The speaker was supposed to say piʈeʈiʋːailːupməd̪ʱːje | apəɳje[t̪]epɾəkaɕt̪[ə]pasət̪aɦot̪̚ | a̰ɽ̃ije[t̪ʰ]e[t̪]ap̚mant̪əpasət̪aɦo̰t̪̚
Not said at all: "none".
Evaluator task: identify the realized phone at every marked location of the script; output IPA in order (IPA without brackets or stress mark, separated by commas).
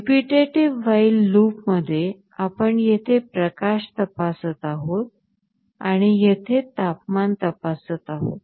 t̪ʰ, ə, t̪ʰ, t̪